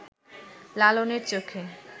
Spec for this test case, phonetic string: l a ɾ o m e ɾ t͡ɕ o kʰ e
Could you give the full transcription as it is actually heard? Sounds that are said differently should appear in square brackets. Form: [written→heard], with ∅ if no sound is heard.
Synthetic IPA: l a [ɾ→l] o [m→n] e ɾ t͡ɕ o kʰ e